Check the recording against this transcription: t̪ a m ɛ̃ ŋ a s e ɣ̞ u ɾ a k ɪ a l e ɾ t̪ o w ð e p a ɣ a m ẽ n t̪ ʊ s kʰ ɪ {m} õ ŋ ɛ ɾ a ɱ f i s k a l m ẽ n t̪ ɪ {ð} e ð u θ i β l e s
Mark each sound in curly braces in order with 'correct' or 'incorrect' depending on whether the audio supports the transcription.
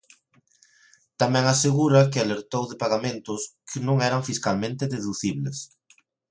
incorrect: n, correct

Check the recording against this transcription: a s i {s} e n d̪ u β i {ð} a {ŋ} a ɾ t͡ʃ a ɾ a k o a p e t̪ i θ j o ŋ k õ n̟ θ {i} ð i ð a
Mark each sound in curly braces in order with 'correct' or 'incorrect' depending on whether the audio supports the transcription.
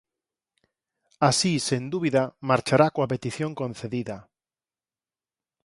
correct, correct, incorrect: m, incorrect: e

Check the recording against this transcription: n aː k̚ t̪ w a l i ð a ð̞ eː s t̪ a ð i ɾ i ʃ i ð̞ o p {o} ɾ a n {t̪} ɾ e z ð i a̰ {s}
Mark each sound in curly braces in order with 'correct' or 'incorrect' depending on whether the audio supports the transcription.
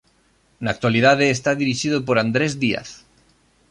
correct, incorrect: d̪, incorrect: θ

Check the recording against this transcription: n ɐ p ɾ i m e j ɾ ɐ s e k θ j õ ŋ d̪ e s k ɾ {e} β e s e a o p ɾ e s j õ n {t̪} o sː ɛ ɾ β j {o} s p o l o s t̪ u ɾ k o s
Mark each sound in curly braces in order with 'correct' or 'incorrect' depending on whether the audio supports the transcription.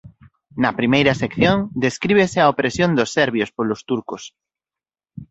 incorrect: i, incorrect: d̪, correct

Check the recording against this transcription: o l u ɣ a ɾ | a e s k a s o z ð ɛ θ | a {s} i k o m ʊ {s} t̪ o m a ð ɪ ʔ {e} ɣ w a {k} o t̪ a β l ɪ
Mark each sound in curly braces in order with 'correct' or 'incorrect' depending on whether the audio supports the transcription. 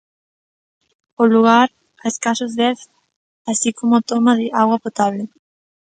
correct, incorrect: none, incorrect: a, incorrect: p

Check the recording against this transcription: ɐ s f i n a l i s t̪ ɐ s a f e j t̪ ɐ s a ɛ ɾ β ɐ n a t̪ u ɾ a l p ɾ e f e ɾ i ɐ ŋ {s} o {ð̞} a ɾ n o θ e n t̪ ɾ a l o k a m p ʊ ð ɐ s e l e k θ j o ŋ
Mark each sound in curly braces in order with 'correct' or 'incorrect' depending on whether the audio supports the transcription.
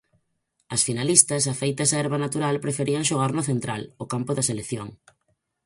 incorrect: ʃ, incorrect: ɣ̞

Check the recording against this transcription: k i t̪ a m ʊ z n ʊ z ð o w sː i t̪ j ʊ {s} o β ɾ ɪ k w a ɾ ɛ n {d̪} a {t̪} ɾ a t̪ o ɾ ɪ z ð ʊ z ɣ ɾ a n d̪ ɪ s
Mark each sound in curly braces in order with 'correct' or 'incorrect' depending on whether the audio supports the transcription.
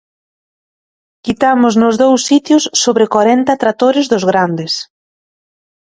incorrect: sː, incorrect: t̪, correct

